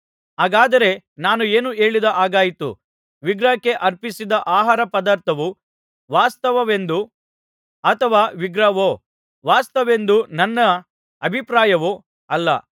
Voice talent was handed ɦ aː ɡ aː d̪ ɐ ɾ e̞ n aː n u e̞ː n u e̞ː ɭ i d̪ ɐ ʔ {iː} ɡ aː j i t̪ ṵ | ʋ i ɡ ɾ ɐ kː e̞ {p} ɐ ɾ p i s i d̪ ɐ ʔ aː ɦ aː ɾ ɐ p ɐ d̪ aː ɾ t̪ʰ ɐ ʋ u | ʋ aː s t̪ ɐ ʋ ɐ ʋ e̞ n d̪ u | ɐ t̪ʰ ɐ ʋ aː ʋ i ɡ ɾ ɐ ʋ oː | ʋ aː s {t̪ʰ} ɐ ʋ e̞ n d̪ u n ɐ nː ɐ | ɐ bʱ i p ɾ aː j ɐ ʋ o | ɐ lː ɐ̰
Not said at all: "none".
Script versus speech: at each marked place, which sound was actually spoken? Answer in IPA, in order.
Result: aː, ʔ, t̪

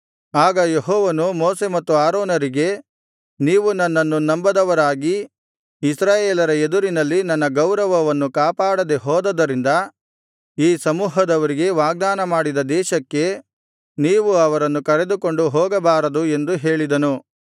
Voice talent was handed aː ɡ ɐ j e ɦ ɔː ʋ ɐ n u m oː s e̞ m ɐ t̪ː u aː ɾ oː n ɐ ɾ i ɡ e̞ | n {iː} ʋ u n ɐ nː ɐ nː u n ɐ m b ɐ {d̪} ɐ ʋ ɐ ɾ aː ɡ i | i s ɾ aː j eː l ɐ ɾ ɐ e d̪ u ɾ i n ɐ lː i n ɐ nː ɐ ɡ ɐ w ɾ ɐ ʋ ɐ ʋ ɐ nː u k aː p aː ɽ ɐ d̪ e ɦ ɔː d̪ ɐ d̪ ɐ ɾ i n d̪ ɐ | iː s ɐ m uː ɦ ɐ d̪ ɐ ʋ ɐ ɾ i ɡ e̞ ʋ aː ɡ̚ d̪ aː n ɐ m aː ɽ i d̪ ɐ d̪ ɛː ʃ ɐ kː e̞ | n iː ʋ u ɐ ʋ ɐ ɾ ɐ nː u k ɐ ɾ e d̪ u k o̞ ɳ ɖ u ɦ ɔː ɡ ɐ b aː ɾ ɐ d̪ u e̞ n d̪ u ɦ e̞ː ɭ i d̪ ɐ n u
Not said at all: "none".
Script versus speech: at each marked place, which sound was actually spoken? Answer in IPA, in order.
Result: iː, d̪

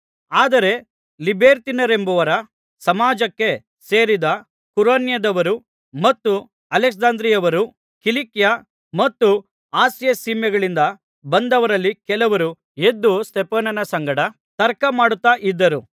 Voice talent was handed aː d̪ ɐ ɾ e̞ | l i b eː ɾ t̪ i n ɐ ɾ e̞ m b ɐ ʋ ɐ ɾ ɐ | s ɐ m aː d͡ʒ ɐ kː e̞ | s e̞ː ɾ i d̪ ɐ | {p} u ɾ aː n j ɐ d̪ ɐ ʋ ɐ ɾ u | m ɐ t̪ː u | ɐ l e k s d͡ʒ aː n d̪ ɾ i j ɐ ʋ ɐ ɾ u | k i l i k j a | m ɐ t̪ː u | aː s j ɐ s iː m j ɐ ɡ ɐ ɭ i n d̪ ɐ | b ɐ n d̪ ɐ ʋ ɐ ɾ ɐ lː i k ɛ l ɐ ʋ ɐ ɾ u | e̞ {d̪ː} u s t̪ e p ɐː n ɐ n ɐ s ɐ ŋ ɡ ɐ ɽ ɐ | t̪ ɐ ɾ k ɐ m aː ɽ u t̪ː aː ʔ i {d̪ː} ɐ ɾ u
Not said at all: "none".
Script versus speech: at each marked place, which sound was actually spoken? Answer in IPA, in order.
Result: k, d̪ː, d̪ː

